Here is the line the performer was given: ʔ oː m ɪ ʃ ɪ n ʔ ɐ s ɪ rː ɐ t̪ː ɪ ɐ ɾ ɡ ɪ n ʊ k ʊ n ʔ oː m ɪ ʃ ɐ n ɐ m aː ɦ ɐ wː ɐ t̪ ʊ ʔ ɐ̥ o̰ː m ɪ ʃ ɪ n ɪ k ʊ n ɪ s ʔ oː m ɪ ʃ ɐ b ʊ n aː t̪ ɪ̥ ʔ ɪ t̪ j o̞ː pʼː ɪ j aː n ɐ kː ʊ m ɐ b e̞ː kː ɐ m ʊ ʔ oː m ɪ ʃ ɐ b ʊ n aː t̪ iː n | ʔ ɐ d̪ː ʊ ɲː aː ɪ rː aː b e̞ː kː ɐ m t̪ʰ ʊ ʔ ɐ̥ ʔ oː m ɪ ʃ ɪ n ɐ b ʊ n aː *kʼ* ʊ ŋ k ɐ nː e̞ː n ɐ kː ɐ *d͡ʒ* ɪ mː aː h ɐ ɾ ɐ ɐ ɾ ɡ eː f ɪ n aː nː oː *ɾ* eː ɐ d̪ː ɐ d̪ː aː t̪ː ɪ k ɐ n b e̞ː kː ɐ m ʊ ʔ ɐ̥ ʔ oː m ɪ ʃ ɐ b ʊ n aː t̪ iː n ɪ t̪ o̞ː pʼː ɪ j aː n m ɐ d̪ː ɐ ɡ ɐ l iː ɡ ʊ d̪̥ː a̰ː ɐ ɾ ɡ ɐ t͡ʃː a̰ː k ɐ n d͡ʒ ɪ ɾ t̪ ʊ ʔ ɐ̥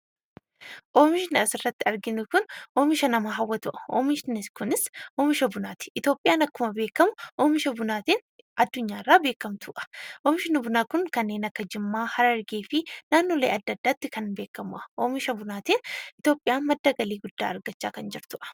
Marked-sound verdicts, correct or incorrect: incorrect: k, correct, incorrect: l

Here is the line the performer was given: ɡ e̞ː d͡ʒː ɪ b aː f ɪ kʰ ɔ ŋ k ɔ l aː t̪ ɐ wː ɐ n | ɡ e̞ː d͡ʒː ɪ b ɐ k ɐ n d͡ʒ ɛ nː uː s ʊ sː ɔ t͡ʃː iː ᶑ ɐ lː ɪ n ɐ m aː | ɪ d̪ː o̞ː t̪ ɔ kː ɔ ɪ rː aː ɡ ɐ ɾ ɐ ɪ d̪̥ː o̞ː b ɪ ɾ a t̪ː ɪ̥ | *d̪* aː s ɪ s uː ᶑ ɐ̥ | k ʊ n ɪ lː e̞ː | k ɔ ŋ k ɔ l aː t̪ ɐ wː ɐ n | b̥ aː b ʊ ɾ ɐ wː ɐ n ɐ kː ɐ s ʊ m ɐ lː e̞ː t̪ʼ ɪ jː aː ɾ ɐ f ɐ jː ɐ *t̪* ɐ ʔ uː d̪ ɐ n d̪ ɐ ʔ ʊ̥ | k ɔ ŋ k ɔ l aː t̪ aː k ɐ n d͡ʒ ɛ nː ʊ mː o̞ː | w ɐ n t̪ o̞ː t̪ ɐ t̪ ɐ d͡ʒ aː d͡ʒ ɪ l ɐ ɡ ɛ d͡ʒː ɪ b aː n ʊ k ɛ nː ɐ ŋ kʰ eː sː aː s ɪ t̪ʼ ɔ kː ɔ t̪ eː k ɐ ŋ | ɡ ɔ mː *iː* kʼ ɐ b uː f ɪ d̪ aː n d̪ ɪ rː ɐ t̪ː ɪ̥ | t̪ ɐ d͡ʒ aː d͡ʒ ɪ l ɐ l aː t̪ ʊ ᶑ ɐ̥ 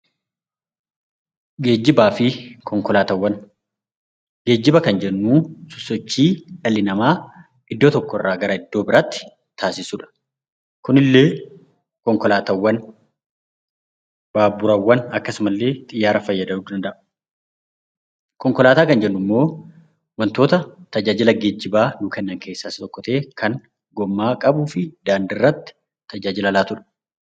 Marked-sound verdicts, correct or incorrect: incorrect: t̪, incorrect: d̪, incorrect: aː

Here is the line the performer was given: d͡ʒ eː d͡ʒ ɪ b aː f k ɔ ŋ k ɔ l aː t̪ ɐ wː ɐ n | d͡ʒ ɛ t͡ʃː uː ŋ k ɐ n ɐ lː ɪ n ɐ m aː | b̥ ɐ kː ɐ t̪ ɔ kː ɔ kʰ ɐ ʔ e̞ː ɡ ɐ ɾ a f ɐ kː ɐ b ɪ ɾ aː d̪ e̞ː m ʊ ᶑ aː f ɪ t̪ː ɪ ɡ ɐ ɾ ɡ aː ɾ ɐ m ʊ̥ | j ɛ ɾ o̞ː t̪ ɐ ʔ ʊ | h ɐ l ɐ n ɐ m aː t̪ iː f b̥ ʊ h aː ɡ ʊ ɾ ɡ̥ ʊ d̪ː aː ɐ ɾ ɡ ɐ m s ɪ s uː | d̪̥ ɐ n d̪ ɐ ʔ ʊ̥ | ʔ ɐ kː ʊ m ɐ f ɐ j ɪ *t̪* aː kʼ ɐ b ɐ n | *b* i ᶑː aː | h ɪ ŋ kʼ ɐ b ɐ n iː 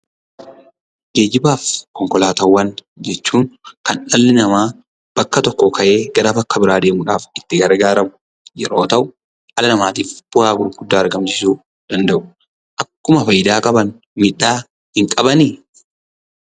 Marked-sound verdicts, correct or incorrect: incorrect: d̪, incorrect: m

